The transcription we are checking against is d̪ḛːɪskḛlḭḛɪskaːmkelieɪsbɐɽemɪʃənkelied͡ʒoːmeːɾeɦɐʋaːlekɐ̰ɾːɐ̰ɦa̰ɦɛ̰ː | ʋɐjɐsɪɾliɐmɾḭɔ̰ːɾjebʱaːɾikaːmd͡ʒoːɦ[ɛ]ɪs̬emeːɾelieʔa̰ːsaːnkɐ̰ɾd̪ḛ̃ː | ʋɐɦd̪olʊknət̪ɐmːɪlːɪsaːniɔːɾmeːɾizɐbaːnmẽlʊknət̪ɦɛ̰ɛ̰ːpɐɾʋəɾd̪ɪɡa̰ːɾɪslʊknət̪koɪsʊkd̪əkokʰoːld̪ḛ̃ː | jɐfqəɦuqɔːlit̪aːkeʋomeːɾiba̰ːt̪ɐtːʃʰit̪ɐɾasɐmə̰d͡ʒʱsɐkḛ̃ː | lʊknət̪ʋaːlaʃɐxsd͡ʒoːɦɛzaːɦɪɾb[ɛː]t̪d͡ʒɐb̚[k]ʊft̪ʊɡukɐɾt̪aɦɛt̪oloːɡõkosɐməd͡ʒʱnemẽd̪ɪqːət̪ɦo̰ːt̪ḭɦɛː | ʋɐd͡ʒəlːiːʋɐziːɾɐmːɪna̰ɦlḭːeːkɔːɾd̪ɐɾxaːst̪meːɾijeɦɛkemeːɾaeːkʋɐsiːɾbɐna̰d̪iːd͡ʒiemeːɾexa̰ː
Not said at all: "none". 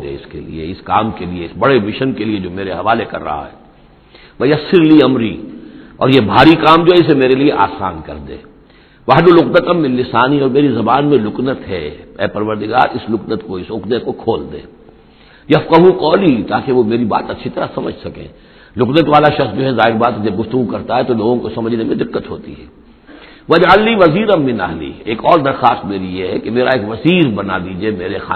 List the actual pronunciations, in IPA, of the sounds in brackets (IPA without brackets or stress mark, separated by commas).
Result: ɛ, aː, ɡ